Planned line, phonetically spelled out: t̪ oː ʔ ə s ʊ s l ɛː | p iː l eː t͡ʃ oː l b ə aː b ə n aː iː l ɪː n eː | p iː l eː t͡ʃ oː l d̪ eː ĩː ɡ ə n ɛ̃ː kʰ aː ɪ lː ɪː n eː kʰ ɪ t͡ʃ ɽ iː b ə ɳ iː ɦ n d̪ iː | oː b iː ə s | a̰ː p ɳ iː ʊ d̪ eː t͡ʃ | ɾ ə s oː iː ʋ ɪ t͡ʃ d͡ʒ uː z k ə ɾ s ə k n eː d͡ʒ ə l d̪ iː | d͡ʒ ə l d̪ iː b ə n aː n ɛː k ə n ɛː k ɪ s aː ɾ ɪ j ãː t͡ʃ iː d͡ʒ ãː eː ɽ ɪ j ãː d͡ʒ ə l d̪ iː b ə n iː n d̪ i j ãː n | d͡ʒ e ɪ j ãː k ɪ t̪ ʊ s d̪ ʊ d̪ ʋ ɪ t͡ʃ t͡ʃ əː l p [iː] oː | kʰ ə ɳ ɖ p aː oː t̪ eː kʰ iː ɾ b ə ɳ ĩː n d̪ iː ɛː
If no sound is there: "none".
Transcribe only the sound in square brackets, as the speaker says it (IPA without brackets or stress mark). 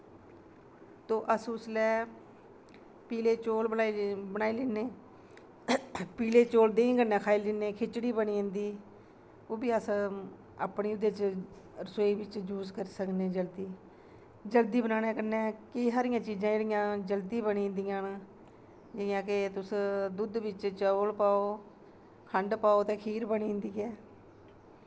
aː